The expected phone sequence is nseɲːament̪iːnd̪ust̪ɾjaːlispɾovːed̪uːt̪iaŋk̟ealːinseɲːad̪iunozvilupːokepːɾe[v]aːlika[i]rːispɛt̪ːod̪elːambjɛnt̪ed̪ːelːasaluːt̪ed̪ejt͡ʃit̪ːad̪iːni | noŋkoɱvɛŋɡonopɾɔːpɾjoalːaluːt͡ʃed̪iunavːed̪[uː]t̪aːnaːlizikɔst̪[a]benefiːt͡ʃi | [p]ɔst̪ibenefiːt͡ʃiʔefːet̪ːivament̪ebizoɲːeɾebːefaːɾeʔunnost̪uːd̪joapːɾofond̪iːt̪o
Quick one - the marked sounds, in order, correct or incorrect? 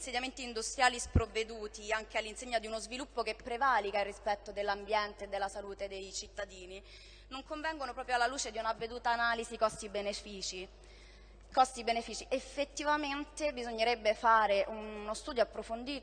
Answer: correct, correct, correct, incorrect, incorrect

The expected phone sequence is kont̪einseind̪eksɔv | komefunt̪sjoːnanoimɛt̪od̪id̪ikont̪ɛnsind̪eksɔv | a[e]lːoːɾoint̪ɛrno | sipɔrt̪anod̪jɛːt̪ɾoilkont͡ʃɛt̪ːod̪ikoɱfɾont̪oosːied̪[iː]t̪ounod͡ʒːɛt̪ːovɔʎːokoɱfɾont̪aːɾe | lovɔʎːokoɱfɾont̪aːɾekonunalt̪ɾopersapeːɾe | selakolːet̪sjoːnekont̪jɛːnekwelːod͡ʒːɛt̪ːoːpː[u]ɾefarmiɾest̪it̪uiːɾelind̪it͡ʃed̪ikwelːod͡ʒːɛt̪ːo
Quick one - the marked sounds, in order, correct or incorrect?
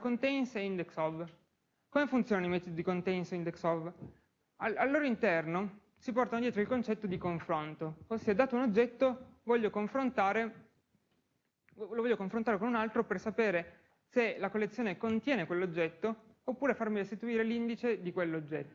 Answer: incorrect, incorrect, incorrect

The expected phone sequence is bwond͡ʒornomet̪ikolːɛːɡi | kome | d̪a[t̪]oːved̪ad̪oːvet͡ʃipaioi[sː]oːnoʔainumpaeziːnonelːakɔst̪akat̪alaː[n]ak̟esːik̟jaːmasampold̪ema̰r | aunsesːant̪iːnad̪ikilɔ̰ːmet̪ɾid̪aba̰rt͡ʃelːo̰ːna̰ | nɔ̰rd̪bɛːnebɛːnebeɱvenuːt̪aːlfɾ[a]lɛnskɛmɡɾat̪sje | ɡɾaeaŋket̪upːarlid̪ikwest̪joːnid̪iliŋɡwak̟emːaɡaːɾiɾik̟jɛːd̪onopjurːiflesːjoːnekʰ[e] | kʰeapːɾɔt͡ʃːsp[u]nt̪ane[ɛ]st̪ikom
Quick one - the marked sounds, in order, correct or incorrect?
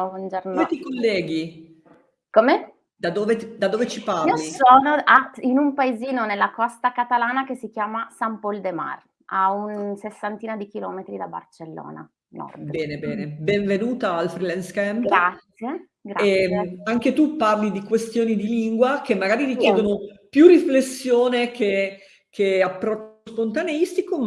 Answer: incorrect, incorrect, correct, incorrect, correct, incorrect, incorrect

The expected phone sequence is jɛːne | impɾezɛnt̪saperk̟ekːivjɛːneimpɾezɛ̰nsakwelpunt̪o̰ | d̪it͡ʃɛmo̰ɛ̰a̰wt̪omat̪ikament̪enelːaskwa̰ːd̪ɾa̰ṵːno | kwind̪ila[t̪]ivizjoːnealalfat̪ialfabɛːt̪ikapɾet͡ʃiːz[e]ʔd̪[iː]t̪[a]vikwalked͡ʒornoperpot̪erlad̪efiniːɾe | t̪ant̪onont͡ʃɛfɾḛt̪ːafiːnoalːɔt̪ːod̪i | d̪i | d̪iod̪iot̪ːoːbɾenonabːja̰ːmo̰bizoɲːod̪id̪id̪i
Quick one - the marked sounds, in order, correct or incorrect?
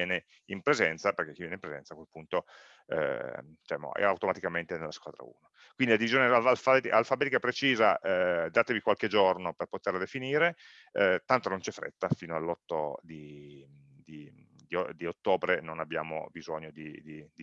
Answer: incorrect, incorrect, incorrect, incorrect

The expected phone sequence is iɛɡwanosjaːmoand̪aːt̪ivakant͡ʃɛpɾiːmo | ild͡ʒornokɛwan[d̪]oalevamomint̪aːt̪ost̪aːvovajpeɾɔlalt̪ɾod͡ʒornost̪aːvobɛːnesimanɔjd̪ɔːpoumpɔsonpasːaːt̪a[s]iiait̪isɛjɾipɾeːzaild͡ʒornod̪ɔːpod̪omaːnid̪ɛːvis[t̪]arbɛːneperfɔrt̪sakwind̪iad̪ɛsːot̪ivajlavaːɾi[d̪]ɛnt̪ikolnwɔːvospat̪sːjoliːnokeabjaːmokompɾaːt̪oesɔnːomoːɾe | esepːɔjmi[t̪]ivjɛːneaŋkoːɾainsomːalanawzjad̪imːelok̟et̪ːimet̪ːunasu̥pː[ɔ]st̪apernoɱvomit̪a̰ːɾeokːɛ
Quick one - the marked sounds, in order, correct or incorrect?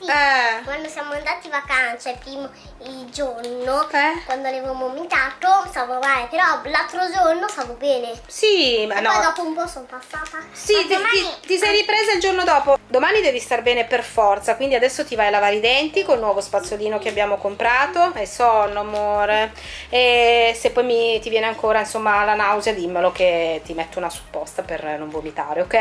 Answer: correct, correct, correct, correct, correct, correct

